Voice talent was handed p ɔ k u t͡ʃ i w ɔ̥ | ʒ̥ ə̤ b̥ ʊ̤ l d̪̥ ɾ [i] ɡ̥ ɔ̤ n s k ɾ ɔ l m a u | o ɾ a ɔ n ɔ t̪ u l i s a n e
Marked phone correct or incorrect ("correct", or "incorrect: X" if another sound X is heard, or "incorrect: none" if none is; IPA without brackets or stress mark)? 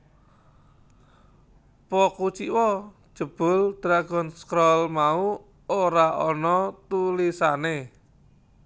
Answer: incorrect: a